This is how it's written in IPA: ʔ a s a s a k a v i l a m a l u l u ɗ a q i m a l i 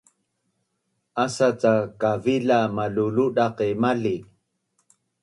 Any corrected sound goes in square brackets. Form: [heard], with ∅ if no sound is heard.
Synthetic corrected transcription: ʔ a s a [t͡s] a k a v i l a m a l u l u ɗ a q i m a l i